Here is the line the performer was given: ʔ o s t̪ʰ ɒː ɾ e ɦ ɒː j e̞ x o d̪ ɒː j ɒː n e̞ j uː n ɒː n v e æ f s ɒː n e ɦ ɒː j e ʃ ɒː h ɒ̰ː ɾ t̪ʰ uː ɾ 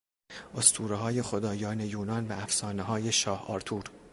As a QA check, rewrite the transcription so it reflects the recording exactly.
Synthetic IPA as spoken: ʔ o s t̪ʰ uː ɾ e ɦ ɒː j e̞ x o d̪ ɒː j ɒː n e̞ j uː n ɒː n v æ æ f s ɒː n e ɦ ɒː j e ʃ ɒː h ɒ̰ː ɾ t̪ʰ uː ɾ